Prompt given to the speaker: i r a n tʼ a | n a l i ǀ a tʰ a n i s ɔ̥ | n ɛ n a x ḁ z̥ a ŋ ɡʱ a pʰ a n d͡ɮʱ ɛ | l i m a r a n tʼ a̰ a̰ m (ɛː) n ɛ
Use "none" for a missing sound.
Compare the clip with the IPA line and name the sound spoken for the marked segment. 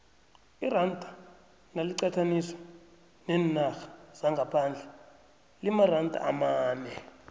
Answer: aː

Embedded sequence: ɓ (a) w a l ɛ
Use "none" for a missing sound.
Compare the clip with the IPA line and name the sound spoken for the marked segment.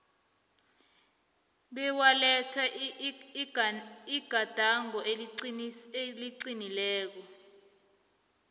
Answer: ɛ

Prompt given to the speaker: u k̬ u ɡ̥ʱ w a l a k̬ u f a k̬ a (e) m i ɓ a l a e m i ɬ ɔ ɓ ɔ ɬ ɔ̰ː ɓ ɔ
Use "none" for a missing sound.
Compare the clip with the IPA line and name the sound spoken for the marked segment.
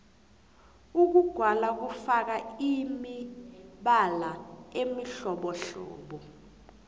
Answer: i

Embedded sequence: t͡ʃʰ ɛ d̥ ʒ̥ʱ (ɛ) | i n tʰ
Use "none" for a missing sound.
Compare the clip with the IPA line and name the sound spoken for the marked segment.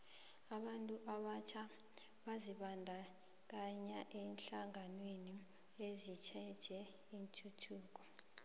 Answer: ɛ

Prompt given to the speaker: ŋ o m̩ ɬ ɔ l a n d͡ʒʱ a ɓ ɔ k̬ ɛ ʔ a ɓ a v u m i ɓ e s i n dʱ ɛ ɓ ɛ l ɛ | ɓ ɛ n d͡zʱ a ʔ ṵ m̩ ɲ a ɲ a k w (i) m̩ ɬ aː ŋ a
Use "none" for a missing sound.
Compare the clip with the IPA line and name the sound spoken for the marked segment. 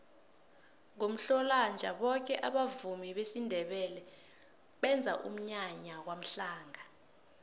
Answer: a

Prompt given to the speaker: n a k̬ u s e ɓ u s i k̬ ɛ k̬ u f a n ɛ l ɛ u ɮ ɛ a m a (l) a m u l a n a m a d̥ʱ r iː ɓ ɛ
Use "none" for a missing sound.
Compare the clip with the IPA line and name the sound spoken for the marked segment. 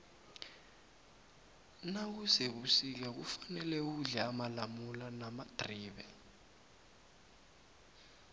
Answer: l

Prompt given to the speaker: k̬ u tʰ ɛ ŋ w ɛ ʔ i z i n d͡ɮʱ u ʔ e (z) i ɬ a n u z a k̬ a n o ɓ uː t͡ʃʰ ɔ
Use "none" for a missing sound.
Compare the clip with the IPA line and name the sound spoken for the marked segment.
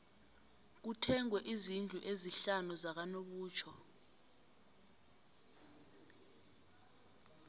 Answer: z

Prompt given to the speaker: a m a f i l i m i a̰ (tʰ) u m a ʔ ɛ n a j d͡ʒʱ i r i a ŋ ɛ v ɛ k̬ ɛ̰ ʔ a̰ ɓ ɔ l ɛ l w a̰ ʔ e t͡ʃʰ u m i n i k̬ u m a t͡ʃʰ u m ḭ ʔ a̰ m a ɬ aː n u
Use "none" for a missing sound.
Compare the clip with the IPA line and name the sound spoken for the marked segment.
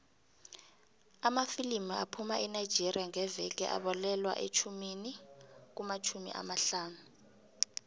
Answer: pʰ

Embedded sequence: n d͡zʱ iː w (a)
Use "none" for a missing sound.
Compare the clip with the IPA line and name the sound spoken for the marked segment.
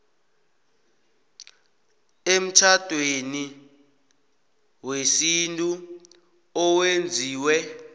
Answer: ɛ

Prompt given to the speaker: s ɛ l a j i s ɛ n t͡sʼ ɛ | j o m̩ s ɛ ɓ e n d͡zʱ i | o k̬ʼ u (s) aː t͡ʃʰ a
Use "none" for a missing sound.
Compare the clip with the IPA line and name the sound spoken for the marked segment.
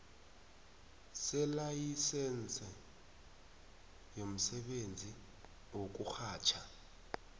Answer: x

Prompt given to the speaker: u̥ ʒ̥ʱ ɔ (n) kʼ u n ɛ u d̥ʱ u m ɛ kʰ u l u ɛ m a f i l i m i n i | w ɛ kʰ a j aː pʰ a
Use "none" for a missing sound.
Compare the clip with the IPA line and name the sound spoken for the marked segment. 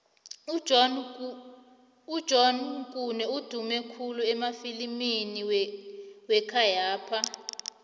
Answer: n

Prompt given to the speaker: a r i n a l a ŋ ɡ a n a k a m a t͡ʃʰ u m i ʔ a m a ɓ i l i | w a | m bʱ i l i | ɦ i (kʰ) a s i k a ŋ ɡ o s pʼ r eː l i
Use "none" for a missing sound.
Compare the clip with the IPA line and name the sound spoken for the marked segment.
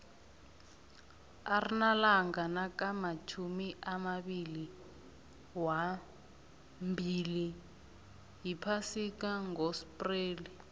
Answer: pʰ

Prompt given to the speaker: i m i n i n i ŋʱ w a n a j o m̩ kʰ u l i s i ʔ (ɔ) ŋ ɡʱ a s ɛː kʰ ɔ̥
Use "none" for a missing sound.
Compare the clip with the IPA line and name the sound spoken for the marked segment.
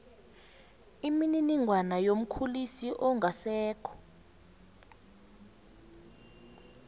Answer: ɔ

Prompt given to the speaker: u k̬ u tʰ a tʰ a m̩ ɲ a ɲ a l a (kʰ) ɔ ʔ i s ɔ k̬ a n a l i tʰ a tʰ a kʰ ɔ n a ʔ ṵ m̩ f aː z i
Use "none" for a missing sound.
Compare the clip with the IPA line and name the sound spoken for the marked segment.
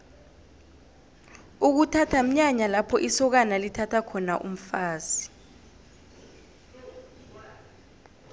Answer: pʰ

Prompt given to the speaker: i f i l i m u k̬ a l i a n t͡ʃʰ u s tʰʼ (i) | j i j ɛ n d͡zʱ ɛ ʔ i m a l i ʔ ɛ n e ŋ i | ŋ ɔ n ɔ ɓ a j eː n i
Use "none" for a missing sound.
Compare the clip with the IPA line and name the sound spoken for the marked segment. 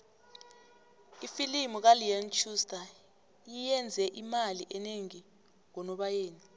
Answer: a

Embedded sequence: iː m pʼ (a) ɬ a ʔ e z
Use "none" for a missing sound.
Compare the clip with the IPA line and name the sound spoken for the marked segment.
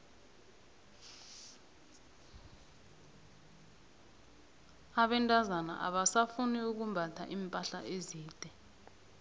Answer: a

